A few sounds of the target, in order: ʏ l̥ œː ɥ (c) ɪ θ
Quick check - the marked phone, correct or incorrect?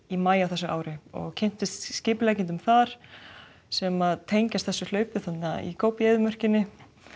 incorrect